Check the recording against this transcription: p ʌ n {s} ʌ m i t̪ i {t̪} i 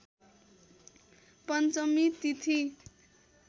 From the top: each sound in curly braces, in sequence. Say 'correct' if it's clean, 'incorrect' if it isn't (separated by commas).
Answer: incorrect, incorrect